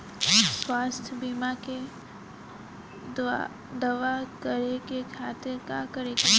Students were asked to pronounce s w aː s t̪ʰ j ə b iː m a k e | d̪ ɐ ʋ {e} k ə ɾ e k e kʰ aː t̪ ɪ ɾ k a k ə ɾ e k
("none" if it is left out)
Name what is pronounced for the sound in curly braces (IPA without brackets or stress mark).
a